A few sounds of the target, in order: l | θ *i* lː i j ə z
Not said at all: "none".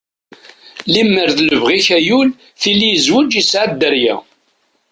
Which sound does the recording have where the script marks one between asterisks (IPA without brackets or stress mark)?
i